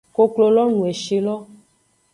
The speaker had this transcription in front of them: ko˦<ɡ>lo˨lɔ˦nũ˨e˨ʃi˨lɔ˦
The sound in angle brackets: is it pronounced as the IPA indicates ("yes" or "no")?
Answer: no